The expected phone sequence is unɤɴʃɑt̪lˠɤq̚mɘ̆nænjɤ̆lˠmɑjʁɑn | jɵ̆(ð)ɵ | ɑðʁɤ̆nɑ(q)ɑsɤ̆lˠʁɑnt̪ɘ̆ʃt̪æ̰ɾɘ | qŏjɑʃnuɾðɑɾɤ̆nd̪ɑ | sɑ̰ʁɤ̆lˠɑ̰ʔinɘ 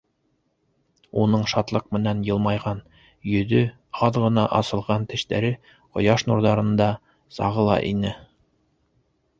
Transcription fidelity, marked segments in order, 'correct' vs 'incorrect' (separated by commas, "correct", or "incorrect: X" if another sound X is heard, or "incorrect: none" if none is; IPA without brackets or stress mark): correct, incorrect: ʔ